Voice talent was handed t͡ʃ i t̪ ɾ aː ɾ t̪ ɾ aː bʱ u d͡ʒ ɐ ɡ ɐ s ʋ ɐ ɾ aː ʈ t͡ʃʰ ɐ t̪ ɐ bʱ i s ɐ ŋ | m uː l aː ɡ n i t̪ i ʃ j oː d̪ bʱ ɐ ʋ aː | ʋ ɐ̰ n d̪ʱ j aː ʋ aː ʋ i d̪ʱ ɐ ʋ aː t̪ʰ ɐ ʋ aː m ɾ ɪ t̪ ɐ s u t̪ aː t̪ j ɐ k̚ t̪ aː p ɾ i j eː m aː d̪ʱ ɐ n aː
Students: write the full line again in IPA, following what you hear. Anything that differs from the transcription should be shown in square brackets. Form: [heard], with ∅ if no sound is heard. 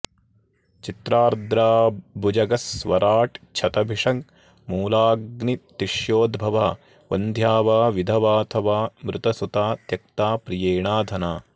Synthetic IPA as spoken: t͡ʃ i t̪ ɾ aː ɾ [d̪] ɾ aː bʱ u d͡ʒ ɐ ɡ ɐ s ʋ ɐ ɾ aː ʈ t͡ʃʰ ɐ t̪ ɐ bʱ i [ʂ] ɐ ŋ | m uː l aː ɡ n i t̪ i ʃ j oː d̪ bʱ ɐ ʋ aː | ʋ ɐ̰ n d̪ʱ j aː ʋ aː ʋ i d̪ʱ ɐ ʋ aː t̪ʰ ɐ ʋ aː m ɾ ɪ t̪ ɐ s u t̪ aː t̪ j ɐ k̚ t̪ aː p ɾ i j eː [ɳ] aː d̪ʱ ɐ n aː